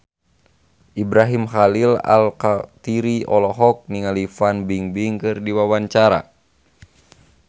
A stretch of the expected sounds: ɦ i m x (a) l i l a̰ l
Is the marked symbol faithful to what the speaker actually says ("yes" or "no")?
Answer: yes